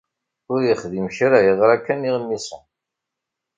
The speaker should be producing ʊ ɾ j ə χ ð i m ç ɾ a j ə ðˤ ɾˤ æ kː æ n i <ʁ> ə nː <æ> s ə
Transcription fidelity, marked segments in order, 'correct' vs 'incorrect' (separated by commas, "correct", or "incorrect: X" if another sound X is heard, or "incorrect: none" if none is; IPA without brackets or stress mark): correct, incorrect: i